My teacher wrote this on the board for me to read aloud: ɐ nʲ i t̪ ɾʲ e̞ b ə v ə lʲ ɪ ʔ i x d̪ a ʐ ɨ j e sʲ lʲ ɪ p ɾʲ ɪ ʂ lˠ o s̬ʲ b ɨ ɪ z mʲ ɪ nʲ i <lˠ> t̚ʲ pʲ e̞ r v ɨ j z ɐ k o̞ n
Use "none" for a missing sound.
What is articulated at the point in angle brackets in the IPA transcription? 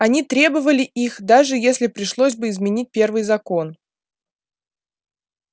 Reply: none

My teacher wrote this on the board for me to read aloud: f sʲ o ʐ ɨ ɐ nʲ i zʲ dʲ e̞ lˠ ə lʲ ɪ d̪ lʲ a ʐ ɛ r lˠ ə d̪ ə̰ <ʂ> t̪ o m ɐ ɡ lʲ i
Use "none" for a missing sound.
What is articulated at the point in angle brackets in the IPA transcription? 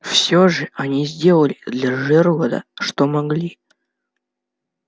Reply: ʂ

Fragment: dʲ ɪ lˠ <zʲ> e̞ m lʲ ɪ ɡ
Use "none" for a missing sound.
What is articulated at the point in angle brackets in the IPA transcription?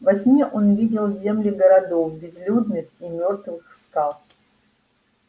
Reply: zʲ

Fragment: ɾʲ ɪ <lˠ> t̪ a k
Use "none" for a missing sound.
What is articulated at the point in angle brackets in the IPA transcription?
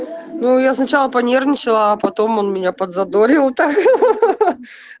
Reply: lˠ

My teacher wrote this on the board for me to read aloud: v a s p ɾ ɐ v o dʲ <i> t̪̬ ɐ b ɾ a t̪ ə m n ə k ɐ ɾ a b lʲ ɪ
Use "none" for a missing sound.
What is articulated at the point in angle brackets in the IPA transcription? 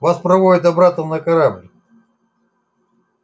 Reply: ɪ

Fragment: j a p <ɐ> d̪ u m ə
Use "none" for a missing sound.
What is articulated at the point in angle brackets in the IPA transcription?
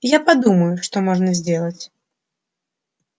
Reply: a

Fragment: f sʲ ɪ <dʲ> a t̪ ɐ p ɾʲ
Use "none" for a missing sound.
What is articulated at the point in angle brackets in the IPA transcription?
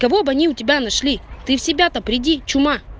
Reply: bʲ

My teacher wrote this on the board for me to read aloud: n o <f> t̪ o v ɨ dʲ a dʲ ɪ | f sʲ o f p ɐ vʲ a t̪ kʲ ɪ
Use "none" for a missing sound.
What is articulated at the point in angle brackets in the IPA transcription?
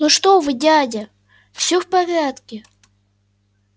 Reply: ʂ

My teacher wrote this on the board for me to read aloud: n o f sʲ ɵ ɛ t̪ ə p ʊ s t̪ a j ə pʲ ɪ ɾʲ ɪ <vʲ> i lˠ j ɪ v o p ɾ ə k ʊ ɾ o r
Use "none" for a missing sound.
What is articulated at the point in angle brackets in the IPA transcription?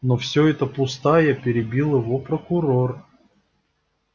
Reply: bʲ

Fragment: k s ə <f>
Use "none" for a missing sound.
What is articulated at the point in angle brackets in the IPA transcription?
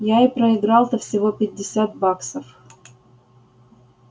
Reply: f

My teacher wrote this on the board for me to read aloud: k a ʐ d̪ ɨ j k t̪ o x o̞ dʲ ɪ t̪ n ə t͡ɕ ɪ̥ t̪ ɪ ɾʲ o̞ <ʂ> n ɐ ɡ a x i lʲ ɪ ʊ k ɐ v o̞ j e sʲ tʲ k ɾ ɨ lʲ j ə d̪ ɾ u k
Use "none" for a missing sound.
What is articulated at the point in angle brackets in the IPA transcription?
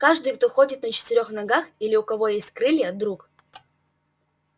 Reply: x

